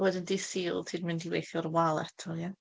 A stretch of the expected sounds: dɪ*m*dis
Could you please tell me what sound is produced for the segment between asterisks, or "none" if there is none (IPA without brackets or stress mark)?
n